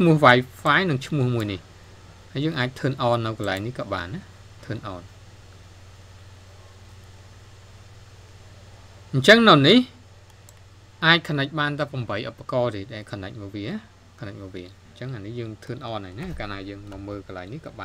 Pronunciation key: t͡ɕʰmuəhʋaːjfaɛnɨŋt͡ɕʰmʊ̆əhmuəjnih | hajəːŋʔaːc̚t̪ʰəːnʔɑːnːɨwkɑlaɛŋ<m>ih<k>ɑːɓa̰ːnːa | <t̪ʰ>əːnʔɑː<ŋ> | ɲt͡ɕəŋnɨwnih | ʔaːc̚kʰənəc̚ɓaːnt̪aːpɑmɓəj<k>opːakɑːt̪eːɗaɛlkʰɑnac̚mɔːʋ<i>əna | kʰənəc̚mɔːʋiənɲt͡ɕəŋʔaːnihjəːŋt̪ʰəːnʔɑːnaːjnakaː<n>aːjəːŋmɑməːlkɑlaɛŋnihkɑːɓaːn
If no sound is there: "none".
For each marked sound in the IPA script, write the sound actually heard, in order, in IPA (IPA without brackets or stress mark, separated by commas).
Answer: n, k, t̪ʰ, n, ʔ, i, n